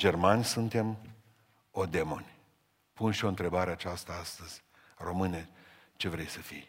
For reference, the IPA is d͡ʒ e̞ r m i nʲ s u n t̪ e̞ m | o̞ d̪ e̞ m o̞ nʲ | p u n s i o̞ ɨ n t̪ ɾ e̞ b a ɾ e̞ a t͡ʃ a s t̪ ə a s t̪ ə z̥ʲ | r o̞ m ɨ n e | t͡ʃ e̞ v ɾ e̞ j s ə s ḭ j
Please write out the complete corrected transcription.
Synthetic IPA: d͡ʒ e̞ r m a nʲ s u n t̪ e̞ m | o̞ d̪ e̞ m o̞ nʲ | p u n ʃ i o̞ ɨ n t̪ ɾ e̞ b a ɾ e̞ a t͡ʃ a s t̪ ə a s t̪ ə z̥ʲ | r o̞ m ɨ n e | t͡ʃ e̞ v ɾ e̞ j s ə f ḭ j